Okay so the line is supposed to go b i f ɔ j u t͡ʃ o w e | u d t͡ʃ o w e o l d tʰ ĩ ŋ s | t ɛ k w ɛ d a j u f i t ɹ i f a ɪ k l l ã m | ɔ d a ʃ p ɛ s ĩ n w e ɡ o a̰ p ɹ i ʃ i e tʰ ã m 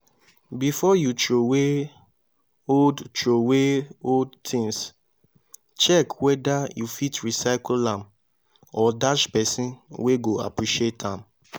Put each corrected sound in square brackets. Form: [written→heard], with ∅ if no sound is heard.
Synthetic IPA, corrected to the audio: b i f ɔ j u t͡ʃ o w e | [u→o] d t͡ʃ o w e o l d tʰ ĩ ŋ s | [t→t͡ʃ] ɛ k w ɛ d a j u f i t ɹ i [f→s] a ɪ k l l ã m | ɔ d a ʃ p ɛ s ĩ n w e ɡ o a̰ p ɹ i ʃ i e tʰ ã m